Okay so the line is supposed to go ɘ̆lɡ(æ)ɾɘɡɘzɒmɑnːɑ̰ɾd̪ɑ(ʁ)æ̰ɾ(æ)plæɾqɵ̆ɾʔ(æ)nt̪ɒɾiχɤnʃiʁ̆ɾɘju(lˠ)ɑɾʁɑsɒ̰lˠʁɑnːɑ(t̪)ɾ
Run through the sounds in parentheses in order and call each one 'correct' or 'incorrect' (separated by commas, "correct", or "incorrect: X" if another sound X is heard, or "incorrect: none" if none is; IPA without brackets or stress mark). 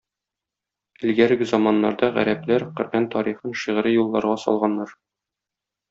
correct, correct, correct, correct, incorrect: lˠː, incorrect: none